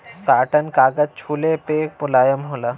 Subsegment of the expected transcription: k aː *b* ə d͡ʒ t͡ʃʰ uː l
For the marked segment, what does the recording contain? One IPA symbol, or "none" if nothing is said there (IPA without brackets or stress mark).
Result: ɡ